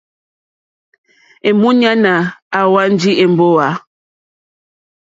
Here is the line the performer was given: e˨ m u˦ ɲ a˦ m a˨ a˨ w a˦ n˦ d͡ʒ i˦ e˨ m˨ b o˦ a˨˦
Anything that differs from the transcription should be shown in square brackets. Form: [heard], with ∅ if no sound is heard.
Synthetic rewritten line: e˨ m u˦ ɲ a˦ [n] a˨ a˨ w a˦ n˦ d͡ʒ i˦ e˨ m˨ b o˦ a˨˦